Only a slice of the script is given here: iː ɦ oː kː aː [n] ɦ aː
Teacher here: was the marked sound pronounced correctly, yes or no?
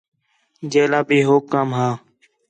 no